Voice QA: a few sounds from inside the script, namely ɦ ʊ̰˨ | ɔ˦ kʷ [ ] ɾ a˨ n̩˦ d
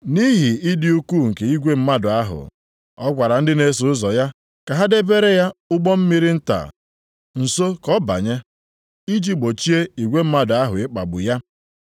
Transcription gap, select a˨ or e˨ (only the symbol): a˨